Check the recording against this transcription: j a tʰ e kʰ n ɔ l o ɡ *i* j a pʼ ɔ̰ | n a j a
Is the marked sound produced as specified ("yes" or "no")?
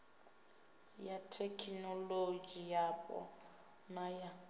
yes